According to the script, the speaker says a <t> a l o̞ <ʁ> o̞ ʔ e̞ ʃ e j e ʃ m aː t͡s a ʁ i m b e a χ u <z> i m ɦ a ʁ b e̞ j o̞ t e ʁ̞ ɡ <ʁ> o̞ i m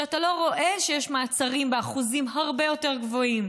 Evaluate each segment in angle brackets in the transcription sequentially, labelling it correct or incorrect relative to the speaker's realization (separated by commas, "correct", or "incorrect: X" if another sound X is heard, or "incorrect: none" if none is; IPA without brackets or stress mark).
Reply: correct, correct, correct, incorrect: v